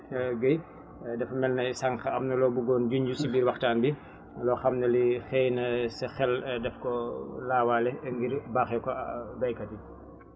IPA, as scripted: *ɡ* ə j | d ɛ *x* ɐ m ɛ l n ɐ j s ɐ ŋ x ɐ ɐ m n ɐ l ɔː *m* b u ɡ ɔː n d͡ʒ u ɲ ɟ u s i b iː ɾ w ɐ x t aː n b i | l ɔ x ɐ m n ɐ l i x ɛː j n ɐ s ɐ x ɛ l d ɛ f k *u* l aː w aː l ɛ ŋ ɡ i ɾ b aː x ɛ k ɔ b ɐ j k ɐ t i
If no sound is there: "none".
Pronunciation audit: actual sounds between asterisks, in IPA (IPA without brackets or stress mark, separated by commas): ɡ, f, none, ɔ